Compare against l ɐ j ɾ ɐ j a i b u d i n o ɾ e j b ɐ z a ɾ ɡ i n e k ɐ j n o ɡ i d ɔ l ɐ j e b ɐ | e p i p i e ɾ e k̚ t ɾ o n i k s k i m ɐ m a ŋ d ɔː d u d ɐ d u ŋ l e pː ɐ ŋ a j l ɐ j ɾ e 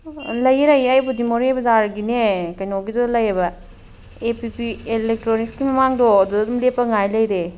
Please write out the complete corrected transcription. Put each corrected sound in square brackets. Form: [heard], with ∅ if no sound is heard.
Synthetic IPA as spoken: l ɐ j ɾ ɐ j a [j] b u d i [m] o ɾ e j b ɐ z a ɾ ɡ i n e k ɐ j n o ɡ i d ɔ l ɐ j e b ɐ | e p i p i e [l] e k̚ t ɾ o n i k s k i m ɐ m a ŋ d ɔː d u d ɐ d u [m] l e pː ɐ ŋ a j l ɐ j ɾ e